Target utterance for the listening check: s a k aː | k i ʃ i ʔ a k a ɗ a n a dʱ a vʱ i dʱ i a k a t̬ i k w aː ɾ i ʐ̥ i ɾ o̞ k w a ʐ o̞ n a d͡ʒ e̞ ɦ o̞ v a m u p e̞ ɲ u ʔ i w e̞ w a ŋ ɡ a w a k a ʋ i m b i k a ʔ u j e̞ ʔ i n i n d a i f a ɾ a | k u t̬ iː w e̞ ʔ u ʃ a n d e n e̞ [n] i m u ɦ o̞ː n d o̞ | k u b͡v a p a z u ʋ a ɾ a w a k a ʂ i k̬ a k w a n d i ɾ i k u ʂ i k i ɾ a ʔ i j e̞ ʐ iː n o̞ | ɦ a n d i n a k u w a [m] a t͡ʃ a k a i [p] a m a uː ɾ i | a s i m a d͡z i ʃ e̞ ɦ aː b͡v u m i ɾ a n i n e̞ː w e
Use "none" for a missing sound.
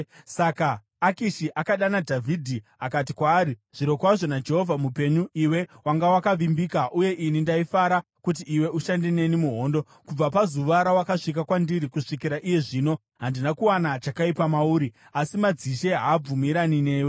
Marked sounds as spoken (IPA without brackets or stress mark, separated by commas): n, n, p